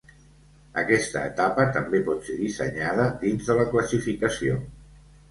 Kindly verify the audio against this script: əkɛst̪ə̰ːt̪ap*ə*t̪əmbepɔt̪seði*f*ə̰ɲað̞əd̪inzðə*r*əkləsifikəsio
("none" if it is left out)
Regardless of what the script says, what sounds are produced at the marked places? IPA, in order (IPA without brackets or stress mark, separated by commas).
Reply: ə, s, l